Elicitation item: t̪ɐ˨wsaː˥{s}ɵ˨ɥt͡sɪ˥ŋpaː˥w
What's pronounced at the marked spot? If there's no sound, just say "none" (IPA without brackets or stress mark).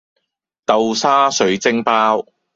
s